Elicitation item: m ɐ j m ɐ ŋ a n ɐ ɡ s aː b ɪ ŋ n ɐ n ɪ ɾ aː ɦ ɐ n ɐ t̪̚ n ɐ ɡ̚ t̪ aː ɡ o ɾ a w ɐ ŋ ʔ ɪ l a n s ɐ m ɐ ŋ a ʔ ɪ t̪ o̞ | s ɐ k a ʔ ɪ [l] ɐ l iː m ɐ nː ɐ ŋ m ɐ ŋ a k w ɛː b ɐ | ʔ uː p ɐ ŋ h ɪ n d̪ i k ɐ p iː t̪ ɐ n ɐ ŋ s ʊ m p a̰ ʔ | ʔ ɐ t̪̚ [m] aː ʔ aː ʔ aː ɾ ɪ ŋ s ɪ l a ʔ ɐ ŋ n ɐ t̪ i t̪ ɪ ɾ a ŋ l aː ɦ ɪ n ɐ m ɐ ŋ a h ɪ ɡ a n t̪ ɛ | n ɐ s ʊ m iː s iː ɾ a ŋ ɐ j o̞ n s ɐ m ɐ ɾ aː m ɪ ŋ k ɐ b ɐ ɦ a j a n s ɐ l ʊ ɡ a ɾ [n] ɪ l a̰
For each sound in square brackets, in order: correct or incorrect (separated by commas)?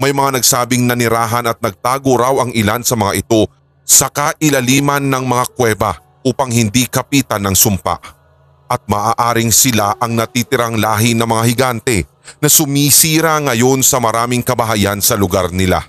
correct, correct, correct